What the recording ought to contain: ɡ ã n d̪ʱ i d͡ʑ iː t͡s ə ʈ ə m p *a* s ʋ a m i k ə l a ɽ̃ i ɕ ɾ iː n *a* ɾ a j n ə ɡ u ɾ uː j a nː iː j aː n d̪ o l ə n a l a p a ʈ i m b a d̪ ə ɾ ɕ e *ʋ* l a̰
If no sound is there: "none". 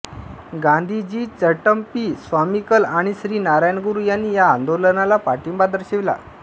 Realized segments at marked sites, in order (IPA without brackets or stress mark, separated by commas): i, a, ʋ